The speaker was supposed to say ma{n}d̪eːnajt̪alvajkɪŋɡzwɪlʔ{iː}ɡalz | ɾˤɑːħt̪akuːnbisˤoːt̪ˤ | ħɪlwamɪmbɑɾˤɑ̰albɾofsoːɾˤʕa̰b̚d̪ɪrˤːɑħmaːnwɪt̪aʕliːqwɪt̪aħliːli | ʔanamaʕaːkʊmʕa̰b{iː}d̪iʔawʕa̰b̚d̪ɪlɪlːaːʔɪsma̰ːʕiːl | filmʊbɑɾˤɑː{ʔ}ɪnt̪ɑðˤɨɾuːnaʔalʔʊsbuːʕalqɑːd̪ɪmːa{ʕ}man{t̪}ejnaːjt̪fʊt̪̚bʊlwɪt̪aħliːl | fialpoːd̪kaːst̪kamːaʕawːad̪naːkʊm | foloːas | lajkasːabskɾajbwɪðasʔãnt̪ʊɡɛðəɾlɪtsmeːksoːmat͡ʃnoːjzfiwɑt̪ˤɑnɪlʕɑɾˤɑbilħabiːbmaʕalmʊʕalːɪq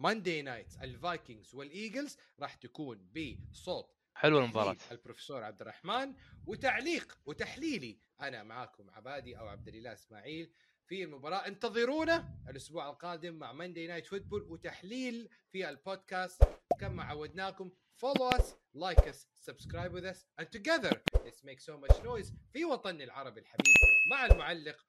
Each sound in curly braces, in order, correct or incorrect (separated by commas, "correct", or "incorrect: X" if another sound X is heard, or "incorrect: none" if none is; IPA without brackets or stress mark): correct, correct, incorrect: aː, correct, correct, incorrect: d̪